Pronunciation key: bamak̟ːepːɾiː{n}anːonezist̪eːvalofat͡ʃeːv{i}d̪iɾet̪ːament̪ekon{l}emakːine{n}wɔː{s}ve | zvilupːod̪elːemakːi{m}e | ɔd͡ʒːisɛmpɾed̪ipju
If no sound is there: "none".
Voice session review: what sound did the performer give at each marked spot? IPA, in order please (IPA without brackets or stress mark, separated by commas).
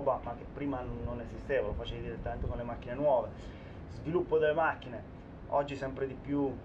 m, i, l, n, none, n